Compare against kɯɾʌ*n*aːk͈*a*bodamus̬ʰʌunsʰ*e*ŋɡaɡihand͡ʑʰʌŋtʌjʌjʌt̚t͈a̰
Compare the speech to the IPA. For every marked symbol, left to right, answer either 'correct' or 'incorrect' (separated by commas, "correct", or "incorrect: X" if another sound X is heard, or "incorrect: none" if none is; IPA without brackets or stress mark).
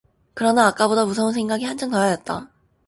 correct, correct, correct